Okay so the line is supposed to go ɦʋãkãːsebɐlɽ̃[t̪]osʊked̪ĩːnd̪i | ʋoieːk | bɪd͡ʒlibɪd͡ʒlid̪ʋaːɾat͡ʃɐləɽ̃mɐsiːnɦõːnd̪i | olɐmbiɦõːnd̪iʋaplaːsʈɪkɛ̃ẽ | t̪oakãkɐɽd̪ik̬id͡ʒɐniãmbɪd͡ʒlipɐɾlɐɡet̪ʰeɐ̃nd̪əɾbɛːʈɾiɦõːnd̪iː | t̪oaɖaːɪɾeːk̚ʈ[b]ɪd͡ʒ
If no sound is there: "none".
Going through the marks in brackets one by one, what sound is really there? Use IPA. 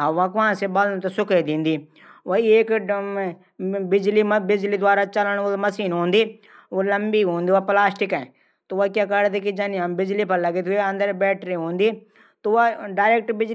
t̪, b

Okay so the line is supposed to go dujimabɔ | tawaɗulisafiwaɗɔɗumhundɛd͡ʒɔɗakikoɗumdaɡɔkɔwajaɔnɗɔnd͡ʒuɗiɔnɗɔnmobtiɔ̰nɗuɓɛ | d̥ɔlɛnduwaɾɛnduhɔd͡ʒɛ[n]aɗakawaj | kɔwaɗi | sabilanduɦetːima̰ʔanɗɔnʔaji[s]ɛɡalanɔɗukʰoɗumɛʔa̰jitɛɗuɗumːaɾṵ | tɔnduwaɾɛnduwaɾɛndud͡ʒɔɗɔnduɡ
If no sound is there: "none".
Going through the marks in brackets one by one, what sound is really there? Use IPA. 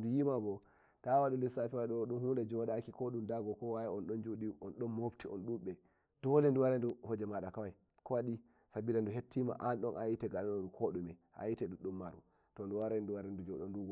m, t

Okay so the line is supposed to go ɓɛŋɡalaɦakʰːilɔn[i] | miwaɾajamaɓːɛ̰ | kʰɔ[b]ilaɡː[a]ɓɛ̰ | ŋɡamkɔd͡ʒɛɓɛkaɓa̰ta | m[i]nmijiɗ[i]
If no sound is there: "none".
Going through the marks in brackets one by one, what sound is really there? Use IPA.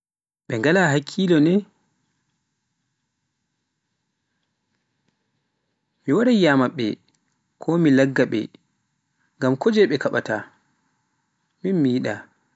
ɛ, m, a, i, a

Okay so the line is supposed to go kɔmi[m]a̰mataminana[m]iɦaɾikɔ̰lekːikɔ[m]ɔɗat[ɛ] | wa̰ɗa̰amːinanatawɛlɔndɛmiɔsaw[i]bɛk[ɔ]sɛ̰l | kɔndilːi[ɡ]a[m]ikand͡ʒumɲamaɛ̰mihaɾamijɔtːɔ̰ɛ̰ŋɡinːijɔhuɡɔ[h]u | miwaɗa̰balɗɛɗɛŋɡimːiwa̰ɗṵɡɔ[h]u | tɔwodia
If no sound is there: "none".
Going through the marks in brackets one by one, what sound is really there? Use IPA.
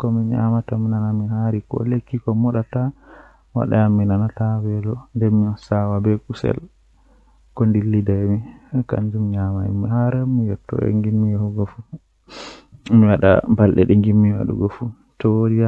ɲ, m, m, a, a, u, d, m, f, f

